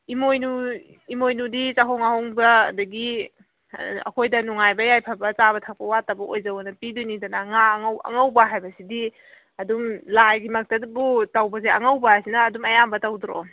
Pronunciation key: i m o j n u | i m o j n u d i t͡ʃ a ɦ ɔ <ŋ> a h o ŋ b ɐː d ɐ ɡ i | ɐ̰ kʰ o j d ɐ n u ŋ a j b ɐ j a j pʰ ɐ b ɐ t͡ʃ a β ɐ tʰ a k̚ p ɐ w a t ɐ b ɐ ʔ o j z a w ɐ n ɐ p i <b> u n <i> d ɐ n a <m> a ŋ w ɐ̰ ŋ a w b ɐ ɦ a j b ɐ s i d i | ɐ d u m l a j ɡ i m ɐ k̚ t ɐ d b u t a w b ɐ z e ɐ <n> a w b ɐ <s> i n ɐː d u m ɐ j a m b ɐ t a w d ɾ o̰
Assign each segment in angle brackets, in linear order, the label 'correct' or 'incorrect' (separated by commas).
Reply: correct, incorrect, correct, incorrect, incorrect, correct